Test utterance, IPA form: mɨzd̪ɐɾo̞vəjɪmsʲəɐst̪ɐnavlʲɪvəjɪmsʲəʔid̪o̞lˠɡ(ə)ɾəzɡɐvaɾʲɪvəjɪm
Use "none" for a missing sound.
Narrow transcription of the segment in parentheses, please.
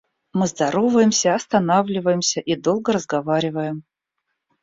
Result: ə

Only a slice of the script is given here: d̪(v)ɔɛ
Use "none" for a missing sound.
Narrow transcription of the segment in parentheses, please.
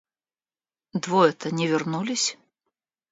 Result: v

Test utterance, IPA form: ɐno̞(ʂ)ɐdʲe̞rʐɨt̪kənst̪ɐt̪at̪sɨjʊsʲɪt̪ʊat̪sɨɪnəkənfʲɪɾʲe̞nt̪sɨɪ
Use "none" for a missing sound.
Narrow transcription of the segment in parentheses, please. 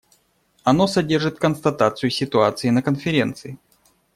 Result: s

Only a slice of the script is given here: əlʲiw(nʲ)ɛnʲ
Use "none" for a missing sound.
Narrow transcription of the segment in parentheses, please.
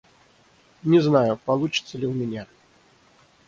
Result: mʲ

